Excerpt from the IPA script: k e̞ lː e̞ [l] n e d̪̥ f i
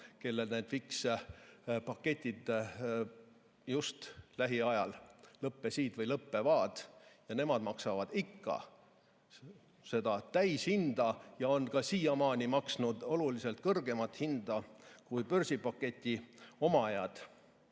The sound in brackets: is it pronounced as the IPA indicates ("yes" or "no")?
yes